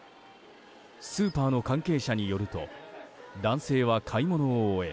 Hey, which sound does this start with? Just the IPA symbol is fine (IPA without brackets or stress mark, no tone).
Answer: s